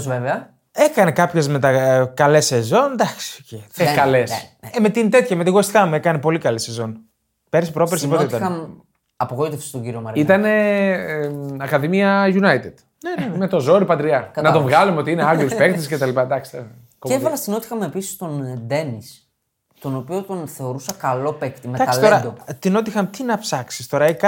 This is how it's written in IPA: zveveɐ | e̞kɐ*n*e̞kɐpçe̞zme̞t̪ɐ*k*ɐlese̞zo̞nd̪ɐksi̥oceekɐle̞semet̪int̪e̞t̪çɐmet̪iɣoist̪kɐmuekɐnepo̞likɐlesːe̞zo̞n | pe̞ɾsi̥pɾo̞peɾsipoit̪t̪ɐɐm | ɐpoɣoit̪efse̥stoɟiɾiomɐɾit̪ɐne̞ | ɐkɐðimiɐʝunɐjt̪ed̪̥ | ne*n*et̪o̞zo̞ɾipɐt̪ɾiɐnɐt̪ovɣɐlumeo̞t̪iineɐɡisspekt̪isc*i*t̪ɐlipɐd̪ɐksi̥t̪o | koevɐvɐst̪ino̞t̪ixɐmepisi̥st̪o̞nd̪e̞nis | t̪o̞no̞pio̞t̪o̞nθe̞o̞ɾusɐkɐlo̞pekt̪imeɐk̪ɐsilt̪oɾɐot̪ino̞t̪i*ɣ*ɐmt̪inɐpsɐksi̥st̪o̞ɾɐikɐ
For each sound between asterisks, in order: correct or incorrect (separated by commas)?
correct, correct, incorrect, incorrect, incorrect